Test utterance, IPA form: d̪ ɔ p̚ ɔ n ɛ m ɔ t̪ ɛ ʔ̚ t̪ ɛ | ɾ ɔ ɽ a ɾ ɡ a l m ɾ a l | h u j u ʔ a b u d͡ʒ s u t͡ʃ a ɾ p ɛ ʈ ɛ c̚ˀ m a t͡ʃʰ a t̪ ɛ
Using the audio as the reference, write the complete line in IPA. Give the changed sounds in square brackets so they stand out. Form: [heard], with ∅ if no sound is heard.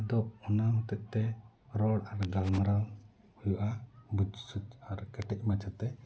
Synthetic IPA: d̪ ɔ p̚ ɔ n [a] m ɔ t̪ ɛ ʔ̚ t̪ ɛ | ɾ ɔ ɽ a ɾ ɡ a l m ɾ a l | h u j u ʔ a b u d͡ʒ s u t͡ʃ a ɾ [k] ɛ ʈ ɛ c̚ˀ m a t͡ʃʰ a t̪ ɛ